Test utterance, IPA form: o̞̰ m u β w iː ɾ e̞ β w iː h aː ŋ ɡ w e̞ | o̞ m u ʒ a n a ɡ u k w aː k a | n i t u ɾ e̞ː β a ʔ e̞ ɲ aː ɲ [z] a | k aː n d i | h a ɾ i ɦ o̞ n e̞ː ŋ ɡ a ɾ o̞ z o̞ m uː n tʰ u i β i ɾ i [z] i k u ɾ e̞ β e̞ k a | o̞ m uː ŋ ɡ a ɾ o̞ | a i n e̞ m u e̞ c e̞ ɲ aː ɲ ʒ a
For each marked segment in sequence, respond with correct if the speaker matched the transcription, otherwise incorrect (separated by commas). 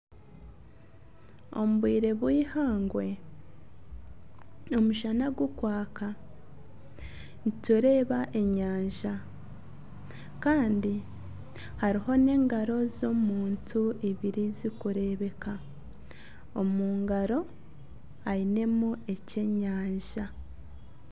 incorrect, correct